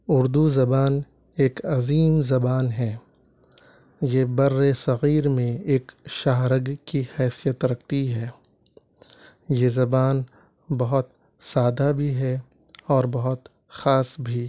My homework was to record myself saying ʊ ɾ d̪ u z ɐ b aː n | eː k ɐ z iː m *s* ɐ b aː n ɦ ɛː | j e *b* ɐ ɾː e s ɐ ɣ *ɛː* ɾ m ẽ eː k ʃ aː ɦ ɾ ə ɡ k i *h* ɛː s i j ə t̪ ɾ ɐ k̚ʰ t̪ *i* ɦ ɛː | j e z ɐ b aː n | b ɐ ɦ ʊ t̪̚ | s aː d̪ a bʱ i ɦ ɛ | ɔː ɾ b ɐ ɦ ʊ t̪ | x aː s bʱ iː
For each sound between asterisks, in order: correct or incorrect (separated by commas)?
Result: incorrect, correct, incorrect, correct, correct